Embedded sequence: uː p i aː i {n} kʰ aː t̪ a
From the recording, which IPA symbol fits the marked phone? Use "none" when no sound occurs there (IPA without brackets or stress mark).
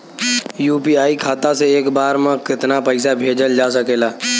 none